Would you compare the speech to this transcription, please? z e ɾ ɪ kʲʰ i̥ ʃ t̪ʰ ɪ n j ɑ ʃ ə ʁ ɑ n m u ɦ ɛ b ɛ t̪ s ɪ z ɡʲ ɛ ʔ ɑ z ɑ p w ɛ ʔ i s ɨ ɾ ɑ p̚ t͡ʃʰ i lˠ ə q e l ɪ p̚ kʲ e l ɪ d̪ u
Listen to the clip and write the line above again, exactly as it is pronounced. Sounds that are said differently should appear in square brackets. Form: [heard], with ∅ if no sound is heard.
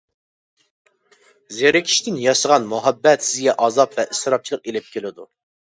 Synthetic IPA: z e ɾ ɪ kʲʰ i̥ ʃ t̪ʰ ɪ n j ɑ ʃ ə ʁ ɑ n m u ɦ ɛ [bː] ɛ t̪ s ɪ z ɡʲ ɛ ʔ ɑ z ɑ p [v] ɛ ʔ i s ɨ ɾ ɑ p̚ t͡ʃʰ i lˠ ə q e l ɪ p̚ kʲ e l ɪ d̪ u